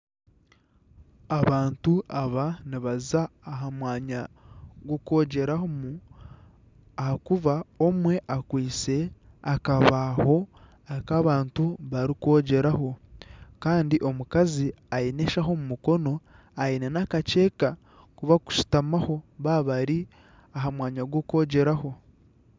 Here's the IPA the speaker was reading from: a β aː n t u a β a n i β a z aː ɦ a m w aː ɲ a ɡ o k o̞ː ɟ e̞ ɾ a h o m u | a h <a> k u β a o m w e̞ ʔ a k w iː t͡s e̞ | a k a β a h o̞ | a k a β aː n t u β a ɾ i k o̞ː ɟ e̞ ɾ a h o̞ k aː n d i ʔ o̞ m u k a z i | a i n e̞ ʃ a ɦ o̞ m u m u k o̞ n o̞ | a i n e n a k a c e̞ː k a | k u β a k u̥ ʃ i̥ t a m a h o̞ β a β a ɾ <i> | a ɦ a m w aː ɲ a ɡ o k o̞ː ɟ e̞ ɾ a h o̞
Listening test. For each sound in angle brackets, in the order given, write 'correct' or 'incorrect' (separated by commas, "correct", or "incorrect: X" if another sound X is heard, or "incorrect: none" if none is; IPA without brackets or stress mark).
correct, correct